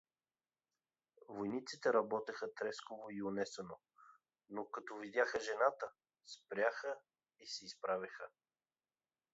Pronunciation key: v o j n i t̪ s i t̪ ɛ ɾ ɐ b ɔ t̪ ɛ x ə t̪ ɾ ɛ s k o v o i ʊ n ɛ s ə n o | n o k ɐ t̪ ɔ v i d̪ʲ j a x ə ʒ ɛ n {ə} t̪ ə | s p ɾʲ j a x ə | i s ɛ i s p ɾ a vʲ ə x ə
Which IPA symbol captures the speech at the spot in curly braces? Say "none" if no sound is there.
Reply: a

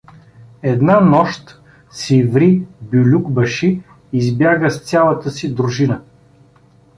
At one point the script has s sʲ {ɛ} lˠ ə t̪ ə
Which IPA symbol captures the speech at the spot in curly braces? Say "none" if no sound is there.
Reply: a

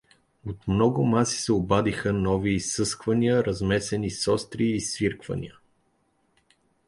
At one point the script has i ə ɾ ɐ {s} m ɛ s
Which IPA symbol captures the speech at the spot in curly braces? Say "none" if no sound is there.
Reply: z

